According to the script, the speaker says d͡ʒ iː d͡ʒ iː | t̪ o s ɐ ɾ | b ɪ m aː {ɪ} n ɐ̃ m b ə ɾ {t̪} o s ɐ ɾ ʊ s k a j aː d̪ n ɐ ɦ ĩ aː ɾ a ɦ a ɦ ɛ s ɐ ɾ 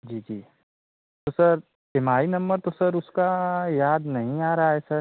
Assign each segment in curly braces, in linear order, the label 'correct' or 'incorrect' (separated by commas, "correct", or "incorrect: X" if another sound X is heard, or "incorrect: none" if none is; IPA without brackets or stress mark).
incorrect: i, correct